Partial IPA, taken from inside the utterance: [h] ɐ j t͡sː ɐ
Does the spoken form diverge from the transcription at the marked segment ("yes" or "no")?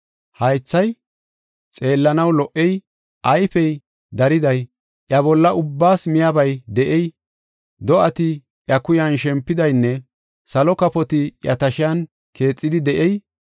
no